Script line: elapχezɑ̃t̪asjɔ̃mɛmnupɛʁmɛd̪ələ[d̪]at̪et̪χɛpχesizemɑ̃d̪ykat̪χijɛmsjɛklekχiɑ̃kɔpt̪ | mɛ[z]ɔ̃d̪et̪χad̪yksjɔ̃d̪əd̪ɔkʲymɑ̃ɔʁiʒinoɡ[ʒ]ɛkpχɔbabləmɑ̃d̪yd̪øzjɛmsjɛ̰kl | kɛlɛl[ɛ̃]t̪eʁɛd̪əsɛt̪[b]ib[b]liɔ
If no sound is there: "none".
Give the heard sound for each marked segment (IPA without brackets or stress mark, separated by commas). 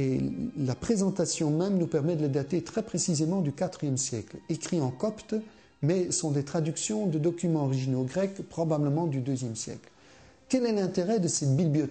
d̪, s, ʁ, ɛ̃, b, b